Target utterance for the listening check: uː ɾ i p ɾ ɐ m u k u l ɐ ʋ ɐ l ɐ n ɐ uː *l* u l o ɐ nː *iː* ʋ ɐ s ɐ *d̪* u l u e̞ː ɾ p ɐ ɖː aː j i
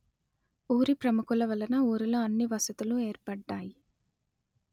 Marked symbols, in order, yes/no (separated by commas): no, no, no